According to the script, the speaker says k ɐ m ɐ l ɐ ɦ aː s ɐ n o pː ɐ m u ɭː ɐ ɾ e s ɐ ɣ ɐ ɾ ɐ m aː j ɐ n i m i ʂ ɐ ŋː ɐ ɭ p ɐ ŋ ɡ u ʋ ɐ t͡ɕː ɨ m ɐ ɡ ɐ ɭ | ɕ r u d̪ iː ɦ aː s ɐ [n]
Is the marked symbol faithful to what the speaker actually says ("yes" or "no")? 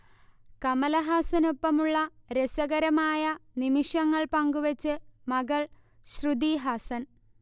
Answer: yes